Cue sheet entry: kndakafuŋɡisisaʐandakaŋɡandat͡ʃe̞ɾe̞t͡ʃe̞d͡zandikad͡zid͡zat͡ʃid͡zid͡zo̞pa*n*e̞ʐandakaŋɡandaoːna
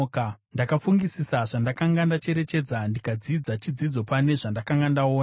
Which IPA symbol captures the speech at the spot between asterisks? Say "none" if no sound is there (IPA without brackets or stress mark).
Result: n